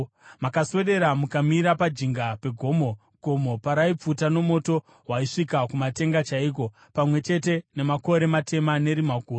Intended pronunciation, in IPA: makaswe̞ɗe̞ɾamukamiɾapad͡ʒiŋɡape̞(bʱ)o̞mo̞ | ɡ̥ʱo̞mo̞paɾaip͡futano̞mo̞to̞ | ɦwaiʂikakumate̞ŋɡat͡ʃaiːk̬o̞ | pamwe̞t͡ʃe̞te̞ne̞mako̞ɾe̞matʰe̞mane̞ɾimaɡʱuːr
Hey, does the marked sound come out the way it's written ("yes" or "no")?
no